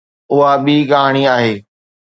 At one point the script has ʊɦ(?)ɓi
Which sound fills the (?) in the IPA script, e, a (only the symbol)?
a